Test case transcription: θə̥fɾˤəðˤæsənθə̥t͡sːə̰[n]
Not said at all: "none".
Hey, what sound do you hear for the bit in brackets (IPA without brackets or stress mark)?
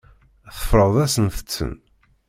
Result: n